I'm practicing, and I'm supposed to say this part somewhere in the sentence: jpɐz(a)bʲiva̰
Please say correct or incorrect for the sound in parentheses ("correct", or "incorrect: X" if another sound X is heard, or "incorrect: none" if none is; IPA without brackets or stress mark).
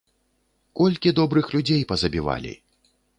incorrect: ɐ